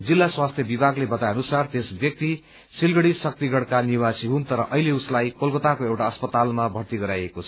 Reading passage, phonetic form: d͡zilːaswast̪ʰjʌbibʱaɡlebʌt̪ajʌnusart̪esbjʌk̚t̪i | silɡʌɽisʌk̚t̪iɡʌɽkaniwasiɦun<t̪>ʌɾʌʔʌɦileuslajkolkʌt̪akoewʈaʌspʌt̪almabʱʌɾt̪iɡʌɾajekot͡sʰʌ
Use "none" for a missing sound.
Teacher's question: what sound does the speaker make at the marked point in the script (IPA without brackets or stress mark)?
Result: t̪